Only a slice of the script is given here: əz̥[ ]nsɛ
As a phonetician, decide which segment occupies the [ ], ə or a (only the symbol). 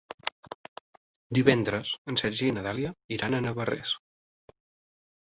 ə